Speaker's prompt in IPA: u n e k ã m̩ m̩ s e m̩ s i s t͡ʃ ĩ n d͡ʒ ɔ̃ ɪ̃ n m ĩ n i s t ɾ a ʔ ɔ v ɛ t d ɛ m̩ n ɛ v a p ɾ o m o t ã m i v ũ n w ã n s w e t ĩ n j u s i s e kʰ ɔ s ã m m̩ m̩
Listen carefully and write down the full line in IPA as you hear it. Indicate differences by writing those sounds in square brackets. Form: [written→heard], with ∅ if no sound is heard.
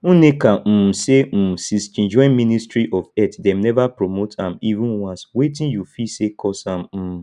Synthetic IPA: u n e k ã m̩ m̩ s e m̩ s i s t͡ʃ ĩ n d͡ʒ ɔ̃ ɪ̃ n m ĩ n i s t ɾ [a→i] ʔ ɔ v ɛ t d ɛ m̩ n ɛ v a p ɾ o m o t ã m i v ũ n w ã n s w e t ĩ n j u [s→f] i s e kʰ ɔ s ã m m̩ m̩